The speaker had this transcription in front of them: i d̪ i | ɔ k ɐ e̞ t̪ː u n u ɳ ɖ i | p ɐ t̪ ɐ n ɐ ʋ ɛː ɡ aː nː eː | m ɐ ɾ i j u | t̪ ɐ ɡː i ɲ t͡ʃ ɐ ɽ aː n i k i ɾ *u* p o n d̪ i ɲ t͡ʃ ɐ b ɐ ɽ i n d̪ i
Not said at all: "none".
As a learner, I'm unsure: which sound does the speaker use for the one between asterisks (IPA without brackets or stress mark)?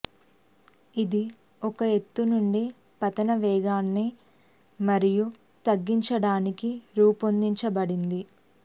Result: uː